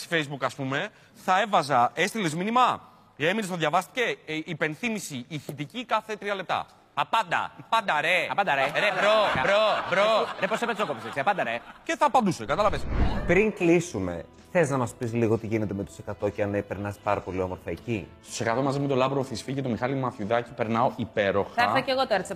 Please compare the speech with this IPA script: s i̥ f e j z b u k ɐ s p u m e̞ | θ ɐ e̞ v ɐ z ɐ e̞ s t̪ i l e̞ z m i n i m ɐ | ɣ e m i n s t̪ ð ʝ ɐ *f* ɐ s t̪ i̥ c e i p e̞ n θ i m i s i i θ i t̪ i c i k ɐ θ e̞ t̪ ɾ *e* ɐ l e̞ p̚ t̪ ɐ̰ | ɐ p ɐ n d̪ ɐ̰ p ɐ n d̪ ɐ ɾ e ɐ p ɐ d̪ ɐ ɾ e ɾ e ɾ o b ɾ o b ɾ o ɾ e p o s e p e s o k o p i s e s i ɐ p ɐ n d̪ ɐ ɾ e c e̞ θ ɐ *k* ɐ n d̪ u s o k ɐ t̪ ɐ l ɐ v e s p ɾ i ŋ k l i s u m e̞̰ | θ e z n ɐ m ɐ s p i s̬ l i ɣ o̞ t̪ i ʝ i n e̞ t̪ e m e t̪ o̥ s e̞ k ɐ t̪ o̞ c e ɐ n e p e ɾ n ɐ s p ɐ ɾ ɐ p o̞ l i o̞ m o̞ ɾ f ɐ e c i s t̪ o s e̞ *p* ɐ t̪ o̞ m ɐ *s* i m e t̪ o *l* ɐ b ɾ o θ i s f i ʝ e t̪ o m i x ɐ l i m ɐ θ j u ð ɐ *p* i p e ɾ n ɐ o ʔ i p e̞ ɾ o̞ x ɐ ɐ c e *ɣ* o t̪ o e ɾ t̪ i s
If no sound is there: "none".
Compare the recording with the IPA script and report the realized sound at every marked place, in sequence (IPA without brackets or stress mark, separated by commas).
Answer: v, i, p, k, z, l, c, ɣ